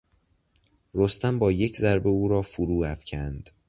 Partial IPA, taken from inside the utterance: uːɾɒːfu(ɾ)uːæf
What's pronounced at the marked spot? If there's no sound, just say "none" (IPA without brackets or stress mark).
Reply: ɾ